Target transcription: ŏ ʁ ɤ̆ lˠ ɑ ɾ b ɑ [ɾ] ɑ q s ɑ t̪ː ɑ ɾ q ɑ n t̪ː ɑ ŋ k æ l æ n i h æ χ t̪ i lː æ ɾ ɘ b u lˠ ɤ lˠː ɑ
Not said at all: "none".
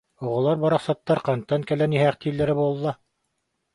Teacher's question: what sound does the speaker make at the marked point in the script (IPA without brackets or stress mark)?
ɾ